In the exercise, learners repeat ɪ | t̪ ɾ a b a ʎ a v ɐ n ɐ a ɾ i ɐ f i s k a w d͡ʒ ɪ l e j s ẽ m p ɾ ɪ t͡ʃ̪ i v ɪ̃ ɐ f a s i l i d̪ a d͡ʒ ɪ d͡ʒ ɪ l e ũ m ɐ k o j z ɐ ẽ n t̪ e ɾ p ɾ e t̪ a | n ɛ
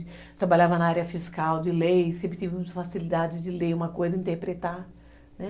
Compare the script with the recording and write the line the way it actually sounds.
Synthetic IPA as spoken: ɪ | t̪ ɾ a b a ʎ a v ɐ n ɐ a ɾ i ɐ f i s k a w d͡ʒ ɪ l e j s ẽ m p ɾ ɪ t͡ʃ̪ i v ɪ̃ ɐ f a s i l i d̪ a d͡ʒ ɪ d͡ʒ ɪ l e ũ m ɐ k o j z ɐ ĩ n t̪ e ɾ p ɾ e t̪ a | n ɛ

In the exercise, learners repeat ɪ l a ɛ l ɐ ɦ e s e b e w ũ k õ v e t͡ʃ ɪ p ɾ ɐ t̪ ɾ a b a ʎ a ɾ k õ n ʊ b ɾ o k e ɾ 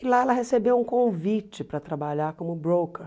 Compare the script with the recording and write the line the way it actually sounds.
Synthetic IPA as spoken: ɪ l a ɛ l ɐ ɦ e s e b e w ũ k õ v i t͡ʃ ɪ p ɾ ɐ t̪ ɾ a b a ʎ a ɾ k õ m ʊ b ɾ o k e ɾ

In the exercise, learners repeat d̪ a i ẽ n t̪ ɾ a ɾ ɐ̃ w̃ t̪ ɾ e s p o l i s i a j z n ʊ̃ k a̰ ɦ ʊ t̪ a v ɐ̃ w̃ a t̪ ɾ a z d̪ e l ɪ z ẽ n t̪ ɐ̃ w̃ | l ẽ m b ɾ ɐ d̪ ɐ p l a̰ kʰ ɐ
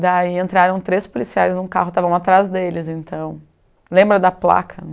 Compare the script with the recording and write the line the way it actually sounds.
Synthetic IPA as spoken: d̪ a i ẽ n t̪ ɾ a ɾ ɐ̃ w̃ t̪ ɾ e s p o l i s i a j z n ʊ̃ k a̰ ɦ ʊ t̪ a v ɐ̃ w̃ a t̪ ɾ a z d̪ e l ɪ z ẽ n t̪ ɐ̃ w̃ | l ẽ m b ɾ ɐ d̪ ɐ p l a̰ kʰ ɐ

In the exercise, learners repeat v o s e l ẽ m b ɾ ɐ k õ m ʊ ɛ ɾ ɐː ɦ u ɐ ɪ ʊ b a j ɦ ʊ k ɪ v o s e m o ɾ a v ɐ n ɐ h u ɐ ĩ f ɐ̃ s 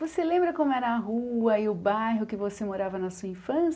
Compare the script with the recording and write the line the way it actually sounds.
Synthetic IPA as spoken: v o s e l ẽ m b ɾ ɐ k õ m ʊ ɛ ɾ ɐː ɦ u ɐ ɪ ʊ b a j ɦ ʊ k ɪ v o s e m o ɾ a v ɐ n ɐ s u ɐ ĩ f ɐ̃ s

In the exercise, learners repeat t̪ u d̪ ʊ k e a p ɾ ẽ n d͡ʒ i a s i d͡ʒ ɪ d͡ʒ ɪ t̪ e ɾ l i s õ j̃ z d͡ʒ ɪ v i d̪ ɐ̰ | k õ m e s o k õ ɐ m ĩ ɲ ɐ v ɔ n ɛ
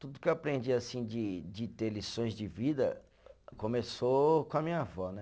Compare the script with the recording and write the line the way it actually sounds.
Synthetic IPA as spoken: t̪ u d̪ ʊ k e a p ɾ ẽ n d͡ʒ i a s ĩ d͡ʒ ɪ d͡ʒ ɪ t̪ e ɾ l i s õ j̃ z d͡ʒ ɪ v i d̪ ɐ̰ | k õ m e s o k õ ɐ m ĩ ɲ ɐ v ɔ n ɛ

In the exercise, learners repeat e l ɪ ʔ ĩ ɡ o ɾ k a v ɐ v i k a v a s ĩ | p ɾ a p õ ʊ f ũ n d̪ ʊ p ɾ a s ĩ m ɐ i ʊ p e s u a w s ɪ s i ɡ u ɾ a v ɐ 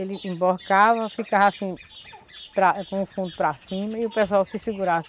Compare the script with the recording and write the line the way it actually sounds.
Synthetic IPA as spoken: e l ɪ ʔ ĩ b o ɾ k a v ɐ f i k a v a s ĩ | p ɾ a k õ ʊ f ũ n d̪ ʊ p ɾ a s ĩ m ɐ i ʊ p e s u a w s ɪ s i ɡ u ɾ a v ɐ

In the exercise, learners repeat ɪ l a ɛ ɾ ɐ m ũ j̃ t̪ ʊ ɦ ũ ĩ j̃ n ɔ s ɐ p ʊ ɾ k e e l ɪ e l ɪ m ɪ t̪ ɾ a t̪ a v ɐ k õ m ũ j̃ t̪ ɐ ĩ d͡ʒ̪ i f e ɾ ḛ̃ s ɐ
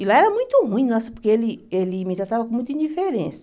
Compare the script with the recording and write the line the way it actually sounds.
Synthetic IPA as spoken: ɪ l a ɛ ɾ ɐ m ũ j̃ t̪ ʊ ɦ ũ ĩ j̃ n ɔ s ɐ p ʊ ɾ k e e l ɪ e l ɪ m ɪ t̪ ɾ a t̪ a v ɐ k õ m ũ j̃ t̪ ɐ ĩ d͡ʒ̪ i f e ɾ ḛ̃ s ɐ

